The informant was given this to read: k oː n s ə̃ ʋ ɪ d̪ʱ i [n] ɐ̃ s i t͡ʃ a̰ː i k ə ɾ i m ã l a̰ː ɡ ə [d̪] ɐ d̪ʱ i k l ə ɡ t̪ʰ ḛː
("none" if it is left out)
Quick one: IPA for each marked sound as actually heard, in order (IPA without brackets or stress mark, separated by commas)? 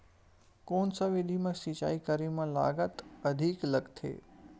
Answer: m, t̪